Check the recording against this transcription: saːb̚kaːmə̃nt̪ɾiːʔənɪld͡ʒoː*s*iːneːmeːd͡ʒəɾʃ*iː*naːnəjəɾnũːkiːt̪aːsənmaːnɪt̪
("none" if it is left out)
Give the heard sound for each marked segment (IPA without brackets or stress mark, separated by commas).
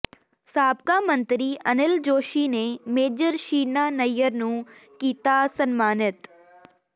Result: ʃ, iː